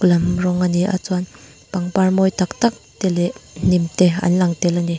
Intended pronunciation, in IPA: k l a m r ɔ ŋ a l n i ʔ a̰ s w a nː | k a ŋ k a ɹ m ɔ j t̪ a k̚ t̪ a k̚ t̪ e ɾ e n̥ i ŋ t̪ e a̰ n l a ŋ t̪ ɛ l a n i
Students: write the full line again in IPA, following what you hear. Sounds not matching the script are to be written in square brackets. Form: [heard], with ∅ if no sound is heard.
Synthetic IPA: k l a m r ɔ ŋ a [∅] n i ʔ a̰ [t͡s] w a [n] | [p] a ŋ [p] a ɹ m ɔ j t̪ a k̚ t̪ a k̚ t̪ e [l] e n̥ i [m] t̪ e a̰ n l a ŋ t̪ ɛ l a n i